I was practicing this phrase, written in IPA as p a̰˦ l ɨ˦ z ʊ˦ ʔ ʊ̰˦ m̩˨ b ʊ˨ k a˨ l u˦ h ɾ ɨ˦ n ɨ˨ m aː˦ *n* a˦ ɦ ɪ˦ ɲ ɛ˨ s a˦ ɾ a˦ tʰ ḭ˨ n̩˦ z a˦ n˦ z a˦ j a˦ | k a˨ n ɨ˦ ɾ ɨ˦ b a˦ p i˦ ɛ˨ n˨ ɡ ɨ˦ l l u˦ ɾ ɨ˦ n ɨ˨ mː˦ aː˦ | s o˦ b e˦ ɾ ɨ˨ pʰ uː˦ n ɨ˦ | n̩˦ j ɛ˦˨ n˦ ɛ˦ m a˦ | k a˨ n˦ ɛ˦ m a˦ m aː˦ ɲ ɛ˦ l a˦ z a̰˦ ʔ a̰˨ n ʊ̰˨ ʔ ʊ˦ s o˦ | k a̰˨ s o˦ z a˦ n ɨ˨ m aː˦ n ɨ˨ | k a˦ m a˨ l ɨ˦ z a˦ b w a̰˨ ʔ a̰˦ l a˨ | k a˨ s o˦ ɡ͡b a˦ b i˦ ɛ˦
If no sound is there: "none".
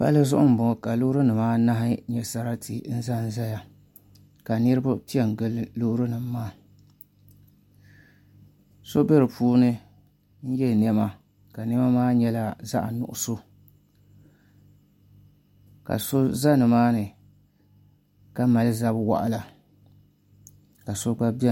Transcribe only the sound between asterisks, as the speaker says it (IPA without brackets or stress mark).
n